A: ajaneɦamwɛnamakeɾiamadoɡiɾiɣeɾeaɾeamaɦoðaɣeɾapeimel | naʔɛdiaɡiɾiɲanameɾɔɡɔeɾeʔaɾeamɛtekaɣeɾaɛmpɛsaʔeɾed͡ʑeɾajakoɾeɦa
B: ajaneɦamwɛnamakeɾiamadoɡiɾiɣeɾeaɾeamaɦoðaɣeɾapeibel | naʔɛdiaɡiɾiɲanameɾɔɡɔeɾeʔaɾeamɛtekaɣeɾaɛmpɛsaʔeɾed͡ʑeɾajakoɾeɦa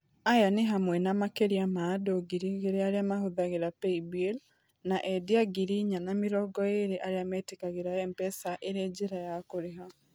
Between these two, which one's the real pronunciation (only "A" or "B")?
B